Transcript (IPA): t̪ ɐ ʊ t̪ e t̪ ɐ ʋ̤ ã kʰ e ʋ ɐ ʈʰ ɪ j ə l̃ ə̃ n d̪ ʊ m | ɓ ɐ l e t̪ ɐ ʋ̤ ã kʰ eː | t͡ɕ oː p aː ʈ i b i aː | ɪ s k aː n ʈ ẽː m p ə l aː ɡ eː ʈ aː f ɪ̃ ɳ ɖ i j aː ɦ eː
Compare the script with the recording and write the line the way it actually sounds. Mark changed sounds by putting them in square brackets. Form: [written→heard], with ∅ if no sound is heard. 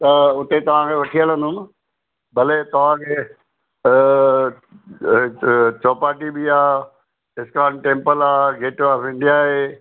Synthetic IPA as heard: t̪ ɐ ʊ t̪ e t̪ ɐ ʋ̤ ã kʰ e ʋ ɐ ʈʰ [ɪ→i] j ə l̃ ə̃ n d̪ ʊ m | [ɓ→b] ɐ l e t̪ ɐ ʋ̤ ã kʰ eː | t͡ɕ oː p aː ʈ i b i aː | ɪ s k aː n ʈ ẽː m p ə l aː ɡ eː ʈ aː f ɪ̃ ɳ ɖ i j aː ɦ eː

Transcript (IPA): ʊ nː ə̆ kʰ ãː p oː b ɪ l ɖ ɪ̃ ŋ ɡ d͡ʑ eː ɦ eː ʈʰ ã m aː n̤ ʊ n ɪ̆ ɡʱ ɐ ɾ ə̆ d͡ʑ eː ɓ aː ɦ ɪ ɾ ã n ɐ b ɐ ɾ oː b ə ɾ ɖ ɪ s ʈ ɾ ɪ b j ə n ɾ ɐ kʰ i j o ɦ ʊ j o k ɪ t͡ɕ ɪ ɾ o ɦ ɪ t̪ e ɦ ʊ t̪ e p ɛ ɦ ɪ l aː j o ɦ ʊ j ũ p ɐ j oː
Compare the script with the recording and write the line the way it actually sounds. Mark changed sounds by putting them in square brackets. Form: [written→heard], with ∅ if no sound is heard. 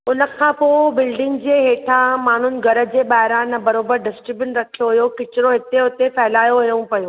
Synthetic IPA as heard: ʊ [nː→n] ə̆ kʰ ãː p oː b ɪ l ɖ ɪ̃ ŋ ɡ d͡ʑ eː ɦ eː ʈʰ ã m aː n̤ ʊ n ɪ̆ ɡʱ ɐ ɾ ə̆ d͡ʑ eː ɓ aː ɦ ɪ ɾ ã n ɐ b ɐ ɾ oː b ə ɾ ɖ ɪ s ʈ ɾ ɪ b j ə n ɾ ɐ kʰ i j o ɦ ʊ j o k ɪ t͡ɕ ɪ ɾ o ɦ ɪ t̪ e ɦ ʊ t̪ e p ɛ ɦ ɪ l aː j o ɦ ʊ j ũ p ɐ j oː

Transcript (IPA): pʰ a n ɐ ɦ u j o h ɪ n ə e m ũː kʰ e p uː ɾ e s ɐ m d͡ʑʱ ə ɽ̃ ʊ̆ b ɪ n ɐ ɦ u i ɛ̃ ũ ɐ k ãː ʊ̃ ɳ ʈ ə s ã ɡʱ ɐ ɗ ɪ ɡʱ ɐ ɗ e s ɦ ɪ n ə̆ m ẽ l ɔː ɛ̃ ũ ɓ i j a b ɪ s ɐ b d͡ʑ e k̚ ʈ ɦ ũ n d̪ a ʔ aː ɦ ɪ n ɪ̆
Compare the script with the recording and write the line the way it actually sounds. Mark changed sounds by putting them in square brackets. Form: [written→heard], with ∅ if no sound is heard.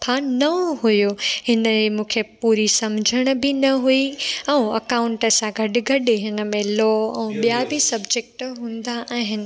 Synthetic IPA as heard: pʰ a n ɐ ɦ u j o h ɪ n ə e m ũː kʰ e p uː ɾ [e→i] s ɐ m d͡ʑʱ ə ɽ̃ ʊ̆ b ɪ n ɐ ɦ u i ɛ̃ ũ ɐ k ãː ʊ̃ ɳ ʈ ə s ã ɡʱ ɐ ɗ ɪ ɡʱ ɐ ɗ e [s→∅] ɦ ɪ n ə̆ m ẽ l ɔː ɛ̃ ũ ɓ i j a b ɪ s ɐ b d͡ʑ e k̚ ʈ ɦ [ũ→ũː] n d̪ a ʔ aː ɦ ɪ n ɪ̆

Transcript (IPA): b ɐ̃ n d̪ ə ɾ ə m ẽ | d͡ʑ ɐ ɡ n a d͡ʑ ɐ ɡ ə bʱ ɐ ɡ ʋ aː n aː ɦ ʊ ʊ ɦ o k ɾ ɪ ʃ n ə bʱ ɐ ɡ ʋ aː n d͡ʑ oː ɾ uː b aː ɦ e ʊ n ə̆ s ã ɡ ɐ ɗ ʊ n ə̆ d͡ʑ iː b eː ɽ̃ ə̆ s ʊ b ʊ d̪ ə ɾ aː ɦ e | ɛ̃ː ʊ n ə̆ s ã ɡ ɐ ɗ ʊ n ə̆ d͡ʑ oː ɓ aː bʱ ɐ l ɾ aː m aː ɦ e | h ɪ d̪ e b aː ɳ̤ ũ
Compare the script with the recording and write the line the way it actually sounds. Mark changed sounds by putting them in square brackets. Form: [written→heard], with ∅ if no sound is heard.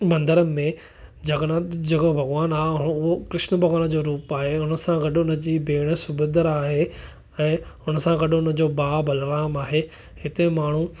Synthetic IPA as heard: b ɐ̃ n d̪ ə ɾ ə m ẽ | d͡ʑ ɐ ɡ n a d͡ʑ ɐ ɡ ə bʱ ɐ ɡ ʋ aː n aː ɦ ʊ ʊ ɦ o k ɾ ɪ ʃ n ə bʱ ɐ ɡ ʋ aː n d͡ʑ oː ɾ uː [b→p] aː ɦ e ʊ n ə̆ s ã ɡ ɐ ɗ ʊ n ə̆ d͡ʑ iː b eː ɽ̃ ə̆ s ʊ b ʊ d̪ ə ɾ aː ɦ e | ɛ̃ː ʊ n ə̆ s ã ɡ ɐ ɗ ʊ n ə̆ d͡ʑ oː [ɓ→b] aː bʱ ɐ l ɾ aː m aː ɦ e | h ɪ [d̪→t̪] e [b→m] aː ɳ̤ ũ

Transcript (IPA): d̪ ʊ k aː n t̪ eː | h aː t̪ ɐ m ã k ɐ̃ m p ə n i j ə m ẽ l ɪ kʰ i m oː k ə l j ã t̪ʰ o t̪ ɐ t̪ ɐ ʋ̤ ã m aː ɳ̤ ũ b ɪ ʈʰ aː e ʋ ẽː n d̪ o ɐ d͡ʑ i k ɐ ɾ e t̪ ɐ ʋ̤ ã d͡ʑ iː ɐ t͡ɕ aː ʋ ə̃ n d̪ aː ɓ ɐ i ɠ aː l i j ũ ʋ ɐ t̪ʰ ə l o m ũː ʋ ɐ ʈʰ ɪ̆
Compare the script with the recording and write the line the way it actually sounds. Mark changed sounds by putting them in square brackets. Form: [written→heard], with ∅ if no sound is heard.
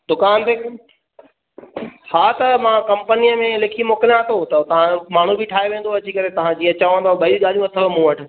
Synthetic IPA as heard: d̪ ʊ k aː n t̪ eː | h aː t̪ ɐ m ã k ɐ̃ m p ə n i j ə m ẽ l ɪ kʰ i m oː k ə l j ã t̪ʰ o t̪ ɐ t̪ ɐ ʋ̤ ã m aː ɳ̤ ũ b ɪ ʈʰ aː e ʋ ẽː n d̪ o ɐ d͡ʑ i k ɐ ɾ e t̪ ɐ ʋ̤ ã d͡ʑ iː ɐ t͡ɕ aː ʋ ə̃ n d̪ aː ɓ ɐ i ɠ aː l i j ũ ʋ ɐ t̪ʰ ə l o m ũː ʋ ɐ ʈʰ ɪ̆

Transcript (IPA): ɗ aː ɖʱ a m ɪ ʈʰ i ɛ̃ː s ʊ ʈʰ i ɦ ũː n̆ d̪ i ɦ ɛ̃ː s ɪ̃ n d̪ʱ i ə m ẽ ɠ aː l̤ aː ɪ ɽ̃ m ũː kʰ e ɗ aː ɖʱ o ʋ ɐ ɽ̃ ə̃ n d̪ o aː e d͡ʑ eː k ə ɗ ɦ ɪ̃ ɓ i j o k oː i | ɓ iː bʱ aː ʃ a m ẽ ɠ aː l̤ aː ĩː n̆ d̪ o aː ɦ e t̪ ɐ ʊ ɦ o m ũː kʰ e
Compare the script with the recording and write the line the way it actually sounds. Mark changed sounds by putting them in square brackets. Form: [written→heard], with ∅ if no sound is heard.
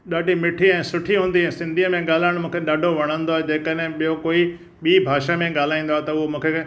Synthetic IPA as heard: ɗ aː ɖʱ [a→i] m ɪ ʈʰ i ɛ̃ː s ʊ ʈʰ i ɦ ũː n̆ d̪ i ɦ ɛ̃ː s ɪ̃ n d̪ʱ i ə m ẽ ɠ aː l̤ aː ɪ ɽ̃ m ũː kʰ e ɗ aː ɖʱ o ʋ ɐ ɽ̃ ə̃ n d̪ o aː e d͡ʑ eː k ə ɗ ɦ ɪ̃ ɓ i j o k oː i | ɓ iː bʱ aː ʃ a m ẽ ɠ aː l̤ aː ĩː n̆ d̪ o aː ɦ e t̪ ɐ ʊ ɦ o m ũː kʰ e

